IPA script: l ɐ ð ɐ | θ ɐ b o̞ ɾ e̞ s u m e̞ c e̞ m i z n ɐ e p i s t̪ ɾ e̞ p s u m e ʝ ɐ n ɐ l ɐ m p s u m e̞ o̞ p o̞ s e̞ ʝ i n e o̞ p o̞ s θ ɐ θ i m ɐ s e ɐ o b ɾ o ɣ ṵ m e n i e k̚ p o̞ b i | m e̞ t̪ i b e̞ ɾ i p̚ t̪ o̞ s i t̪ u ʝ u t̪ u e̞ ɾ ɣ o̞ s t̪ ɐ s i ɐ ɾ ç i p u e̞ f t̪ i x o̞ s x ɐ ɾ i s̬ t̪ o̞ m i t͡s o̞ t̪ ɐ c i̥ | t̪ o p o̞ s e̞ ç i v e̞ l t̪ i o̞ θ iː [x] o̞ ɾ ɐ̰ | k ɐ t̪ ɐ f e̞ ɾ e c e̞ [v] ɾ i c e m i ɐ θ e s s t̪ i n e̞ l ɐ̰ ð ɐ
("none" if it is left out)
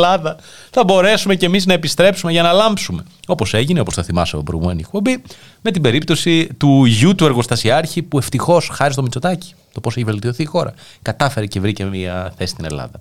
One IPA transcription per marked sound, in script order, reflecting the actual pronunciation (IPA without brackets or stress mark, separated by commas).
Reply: x, v